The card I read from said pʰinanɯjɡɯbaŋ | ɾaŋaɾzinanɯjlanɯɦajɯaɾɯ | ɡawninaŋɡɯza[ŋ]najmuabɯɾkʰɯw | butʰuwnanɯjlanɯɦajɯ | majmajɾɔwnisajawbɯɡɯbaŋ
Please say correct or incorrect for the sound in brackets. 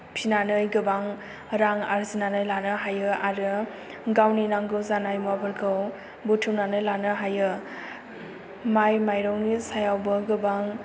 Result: incorrect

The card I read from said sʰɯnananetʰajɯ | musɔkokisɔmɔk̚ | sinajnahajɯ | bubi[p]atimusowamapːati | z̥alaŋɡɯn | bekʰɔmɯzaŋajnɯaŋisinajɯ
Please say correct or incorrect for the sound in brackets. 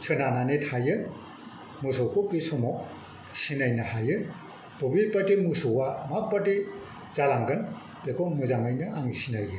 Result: correct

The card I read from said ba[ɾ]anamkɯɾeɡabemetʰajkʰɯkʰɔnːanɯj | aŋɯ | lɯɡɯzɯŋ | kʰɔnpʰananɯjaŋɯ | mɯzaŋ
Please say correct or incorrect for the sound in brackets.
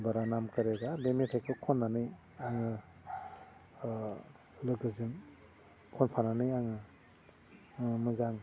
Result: correct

